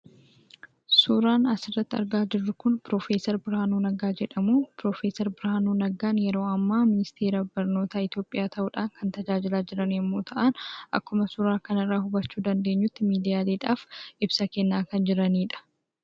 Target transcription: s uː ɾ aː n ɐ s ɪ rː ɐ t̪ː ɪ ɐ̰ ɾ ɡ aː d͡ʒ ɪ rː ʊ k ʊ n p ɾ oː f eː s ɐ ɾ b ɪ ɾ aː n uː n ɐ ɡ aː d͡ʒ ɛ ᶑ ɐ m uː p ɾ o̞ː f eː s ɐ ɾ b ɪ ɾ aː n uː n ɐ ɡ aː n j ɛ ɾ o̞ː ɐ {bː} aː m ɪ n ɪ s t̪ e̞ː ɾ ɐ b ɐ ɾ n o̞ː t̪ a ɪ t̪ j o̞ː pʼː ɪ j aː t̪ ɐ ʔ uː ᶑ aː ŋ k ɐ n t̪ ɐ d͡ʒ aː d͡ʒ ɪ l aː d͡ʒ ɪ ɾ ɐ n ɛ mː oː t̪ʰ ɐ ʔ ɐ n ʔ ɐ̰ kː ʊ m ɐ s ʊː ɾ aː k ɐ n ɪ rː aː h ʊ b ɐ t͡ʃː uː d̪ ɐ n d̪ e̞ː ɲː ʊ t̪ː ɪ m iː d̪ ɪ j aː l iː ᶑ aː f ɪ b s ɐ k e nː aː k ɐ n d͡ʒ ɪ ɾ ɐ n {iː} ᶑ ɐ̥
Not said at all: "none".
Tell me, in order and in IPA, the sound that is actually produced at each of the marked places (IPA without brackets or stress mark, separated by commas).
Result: mː, iː